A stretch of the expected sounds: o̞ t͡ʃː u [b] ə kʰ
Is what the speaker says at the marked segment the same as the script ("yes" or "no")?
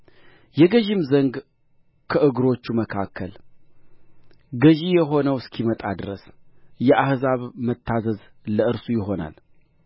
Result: no